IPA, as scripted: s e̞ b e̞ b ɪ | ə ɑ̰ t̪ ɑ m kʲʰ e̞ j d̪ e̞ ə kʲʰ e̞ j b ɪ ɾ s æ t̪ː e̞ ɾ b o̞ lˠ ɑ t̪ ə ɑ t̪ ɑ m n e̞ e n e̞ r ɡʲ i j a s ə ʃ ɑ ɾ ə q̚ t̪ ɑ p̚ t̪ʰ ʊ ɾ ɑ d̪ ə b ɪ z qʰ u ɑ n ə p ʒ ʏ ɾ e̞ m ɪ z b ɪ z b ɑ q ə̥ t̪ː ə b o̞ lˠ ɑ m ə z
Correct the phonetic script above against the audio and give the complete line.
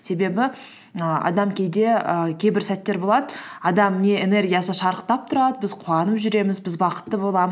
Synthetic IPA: s e̞ b e̞ b ɪ | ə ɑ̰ d̪ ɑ m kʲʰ e̞ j d̪ e̞ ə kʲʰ e̞ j b ɪ ɾ s æ t̪ː e̞ ɾ b o̞ lˠ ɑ d̪ ə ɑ d̪ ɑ m n e̞ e n e̞ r ɡʲ i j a s ə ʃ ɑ ɾ ə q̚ t̪ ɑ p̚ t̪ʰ ʊ ɾ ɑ d̪ ə b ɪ z qʰ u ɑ n ə p ʒ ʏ ɾ e̞ m ɪ z b ɪ z b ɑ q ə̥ t̪ː ə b o̞ lˠ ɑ m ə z